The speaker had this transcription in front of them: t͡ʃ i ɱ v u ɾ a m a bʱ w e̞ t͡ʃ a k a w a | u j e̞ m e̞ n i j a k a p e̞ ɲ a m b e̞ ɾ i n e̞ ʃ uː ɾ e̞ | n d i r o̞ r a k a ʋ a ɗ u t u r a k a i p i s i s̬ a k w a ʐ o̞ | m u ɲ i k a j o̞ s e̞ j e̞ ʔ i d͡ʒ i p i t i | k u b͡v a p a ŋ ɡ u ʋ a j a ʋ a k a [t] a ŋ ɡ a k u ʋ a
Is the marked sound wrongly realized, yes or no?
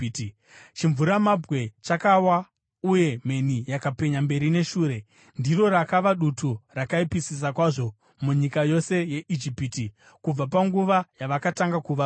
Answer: no